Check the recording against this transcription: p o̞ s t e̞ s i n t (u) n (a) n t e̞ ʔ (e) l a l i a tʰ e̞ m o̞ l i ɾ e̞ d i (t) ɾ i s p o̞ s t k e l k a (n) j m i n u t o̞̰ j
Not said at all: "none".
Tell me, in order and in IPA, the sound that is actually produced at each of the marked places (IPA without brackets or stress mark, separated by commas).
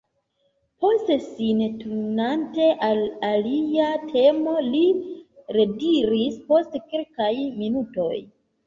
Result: u, a, a, none, none